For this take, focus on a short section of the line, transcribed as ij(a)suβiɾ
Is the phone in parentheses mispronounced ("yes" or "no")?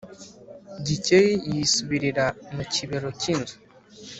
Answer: yes